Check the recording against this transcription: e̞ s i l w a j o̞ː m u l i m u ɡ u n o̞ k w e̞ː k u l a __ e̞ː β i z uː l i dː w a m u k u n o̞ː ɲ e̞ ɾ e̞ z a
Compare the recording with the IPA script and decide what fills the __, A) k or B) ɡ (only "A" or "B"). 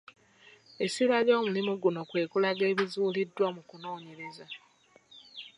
B